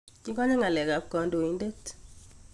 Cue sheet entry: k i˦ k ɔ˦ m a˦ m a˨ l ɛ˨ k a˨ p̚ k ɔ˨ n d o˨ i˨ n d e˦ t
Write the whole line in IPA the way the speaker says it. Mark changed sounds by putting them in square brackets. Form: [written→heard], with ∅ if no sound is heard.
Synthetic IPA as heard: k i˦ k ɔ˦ [m→ɲ] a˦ [m→ŋ] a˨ l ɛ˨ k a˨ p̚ k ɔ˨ n d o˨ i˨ n d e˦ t